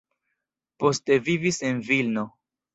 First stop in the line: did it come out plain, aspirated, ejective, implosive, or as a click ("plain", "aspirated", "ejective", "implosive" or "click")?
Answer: plain